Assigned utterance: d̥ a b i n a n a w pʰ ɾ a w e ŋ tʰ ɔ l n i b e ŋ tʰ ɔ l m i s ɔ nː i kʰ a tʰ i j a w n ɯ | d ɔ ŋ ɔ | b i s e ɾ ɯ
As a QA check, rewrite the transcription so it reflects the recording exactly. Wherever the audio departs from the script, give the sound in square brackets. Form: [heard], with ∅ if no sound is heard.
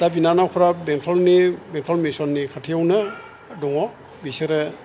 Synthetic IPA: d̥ a b i n a n a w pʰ ɾ a [b] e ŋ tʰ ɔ l n i b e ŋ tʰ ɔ l m i s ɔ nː i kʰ a tʰ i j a w n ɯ | d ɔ ŋ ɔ | b i s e ɾ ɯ